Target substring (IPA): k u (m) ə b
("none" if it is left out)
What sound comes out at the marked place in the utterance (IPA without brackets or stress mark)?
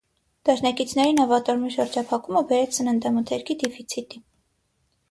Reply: m